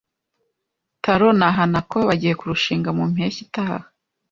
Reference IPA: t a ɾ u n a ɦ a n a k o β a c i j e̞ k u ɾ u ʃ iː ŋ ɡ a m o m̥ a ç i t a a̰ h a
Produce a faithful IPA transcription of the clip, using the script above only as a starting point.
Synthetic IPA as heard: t a ɾ o n a ɦ a n a k o β a ɟ i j e̞ k u ɾ u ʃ iː ŋ ɡ a m u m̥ e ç i t a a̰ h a